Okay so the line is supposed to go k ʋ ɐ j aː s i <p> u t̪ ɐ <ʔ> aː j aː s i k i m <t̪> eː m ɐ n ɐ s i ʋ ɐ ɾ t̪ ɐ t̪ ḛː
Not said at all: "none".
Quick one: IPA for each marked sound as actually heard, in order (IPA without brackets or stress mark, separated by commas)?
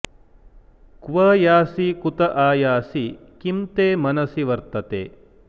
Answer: k, ʔ, t̪